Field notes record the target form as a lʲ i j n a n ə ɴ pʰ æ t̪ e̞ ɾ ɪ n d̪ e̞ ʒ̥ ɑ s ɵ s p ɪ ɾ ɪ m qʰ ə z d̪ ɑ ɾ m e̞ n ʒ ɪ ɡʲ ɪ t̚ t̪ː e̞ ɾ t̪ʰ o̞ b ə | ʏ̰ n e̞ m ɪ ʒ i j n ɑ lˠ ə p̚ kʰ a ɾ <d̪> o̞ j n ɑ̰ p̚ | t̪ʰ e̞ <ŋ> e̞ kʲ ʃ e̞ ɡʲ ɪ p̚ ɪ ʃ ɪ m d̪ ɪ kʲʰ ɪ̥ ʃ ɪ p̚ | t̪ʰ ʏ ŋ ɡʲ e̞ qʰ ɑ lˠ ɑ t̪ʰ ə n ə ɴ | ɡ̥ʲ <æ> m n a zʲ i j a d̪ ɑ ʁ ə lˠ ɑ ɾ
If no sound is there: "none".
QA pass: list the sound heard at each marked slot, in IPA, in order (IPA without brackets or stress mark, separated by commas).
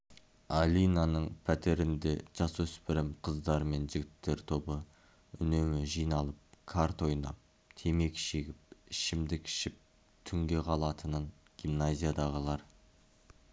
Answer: t̪, m, i